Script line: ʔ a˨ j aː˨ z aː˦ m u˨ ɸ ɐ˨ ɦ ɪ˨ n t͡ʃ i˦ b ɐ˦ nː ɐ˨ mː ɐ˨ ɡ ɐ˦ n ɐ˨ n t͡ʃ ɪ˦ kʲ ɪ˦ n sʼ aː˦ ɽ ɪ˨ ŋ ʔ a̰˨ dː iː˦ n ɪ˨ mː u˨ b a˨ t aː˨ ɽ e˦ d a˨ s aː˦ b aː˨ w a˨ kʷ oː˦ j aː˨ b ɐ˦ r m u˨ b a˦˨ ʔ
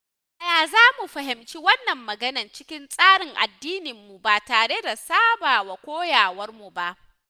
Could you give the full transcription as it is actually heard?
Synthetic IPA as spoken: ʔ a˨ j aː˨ z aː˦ m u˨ ɸ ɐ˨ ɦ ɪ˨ m t͡ʃ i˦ w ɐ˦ nː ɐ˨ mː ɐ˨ ɡ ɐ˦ n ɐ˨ n t͡ʃ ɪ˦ kʲ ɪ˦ n sʼ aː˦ ɽ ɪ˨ ŋ ʔ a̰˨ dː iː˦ n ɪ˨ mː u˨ b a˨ t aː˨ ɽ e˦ d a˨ s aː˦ b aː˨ w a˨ kʷ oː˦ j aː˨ w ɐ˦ r m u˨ b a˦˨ ʔ

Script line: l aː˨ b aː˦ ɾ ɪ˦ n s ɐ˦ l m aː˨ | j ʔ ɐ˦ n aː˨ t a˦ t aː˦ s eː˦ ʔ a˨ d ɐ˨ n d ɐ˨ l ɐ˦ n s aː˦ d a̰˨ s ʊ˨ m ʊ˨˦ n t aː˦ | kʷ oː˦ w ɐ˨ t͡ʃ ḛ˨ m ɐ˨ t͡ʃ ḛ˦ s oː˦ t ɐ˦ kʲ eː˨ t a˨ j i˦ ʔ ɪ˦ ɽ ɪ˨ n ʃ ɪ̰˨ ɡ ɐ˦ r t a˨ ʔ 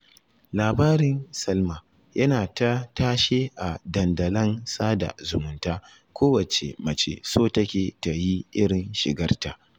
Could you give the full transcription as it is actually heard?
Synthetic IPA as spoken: l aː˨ b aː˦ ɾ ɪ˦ n s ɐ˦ l m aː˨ | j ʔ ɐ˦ n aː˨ t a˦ t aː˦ ʃ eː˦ ʔ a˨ d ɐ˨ n d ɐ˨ l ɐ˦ n s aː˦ d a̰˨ z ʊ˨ m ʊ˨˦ n t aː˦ | kʷ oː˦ w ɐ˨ t͡ʃ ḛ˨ m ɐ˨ t͡ʃ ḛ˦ s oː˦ t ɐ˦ kʲ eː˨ t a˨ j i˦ ʔ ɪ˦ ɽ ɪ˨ n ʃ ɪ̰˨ ɡ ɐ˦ r t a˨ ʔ

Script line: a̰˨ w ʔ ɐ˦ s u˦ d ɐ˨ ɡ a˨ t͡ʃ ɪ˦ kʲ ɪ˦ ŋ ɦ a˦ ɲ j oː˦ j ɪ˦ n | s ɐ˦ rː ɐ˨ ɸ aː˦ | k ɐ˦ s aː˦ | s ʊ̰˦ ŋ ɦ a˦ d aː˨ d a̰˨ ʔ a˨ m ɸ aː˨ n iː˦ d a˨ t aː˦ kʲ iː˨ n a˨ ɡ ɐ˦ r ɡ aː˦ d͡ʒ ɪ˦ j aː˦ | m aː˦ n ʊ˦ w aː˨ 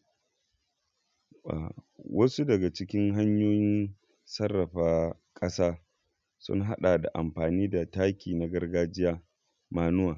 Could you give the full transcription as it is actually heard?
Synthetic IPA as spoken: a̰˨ w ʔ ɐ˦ s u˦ d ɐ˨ ɡ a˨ t͡ʃ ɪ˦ kʲ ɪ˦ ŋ ɦ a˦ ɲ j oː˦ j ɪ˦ n | s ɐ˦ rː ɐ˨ ɸ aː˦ | kʼ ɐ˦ s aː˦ | s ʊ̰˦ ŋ ɦ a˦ ɗ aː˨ d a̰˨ ʔ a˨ m ɸ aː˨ n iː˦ d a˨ t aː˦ kʲ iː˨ n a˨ ɡ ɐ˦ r ɡ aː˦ d͡ʒ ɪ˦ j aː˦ | m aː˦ n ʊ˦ w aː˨

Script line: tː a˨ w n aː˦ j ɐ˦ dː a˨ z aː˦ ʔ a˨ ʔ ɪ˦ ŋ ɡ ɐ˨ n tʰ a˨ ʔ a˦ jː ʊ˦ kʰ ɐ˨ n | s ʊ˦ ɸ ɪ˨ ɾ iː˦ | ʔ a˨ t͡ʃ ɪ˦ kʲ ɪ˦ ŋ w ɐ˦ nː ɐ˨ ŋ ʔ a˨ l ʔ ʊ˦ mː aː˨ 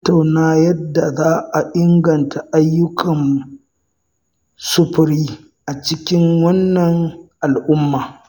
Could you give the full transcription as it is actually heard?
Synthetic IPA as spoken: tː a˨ w n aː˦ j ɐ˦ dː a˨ z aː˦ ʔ a˨ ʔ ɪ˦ ŋ ɡ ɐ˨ n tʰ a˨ ʔ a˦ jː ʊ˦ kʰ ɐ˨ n | s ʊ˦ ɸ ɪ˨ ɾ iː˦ | ʔ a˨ t͡ʃ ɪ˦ kʲ ɪ˦ ŋ w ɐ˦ nː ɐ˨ ŋ ʔ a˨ l ʔ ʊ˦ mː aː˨

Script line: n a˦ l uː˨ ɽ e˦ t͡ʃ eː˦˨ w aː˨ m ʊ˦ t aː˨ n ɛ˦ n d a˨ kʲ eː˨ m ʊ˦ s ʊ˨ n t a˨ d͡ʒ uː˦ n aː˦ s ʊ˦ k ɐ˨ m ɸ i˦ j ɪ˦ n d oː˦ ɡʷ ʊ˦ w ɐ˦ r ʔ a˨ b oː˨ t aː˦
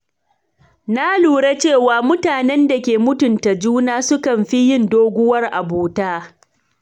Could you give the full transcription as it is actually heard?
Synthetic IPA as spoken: n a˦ l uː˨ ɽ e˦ t͡ʃ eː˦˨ w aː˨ m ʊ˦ t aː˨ n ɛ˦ n d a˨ kʲ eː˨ m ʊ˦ t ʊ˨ n t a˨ d͡ʒ uː˦ n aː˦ s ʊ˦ k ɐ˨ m ɸ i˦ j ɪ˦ n d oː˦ ɡʷ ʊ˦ w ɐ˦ r ʔ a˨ b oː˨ t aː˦

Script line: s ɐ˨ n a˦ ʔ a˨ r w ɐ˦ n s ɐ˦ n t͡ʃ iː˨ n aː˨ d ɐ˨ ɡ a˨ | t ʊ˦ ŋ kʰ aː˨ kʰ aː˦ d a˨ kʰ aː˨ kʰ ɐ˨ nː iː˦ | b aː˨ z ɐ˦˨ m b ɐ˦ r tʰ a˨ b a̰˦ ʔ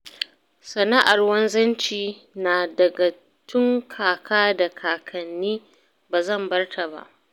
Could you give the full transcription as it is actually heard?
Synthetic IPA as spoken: s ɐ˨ n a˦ ʔ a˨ r w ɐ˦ n z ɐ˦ n t͡ʃ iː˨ n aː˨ d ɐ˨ ɡ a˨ | t ʊ˦ ŋ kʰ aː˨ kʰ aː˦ d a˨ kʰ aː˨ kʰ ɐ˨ nː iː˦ | b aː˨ z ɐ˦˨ m b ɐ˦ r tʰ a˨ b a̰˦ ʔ

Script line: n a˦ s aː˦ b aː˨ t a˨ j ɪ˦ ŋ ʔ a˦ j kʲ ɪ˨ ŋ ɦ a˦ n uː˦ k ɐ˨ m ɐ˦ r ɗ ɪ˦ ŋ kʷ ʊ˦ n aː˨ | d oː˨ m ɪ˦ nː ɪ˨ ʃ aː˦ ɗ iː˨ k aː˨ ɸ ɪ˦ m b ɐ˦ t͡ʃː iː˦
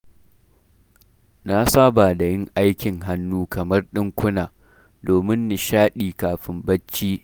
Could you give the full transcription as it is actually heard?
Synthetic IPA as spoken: n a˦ s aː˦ b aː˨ d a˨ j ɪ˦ ŋ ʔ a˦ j kʲ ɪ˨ ŋ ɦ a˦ nː uː˦ k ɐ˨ m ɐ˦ r ɗ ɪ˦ ŋ kʷ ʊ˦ n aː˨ | d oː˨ m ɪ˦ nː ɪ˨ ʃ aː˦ ɗ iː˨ k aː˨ ɸ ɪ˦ m b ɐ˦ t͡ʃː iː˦

